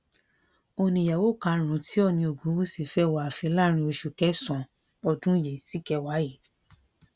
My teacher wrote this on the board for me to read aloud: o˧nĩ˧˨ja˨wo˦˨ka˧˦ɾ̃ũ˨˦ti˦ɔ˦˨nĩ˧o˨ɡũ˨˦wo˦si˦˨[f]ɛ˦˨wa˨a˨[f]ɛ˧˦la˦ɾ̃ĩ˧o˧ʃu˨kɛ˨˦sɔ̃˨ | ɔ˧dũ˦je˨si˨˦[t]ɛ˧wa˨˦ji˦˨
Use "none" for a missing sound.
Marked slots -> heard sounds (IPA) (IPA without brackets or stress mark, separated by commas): f, f, k